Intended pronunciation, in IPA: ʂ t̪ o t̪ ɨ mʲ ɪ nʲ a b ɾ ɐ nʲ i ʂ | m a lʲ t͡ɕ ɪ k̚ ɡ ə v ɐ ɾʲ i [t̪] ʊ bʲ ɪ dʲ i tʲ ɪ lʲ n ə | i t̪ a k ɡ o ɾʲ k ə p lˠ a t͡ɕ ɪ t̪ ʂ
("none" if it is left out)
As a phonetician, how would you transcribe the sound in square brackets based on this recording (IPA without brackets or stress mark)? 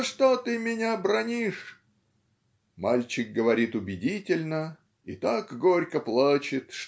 t̪